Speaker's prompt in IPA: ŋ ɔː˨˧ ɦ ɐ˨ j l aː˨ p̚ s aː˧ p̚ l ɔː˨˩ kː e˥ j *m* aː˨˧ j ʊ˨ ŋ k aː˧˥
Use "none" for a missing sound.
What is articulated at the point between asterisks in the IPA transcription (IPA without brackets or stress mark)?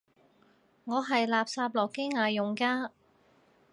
ŋ